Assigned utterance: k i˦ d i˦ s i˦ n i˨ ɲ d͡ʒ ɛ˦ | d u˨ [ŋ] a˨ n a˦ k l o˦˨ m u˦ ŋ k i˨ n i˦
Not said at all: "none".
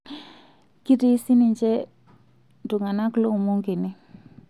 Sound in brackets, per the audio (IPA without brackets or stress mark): ŋ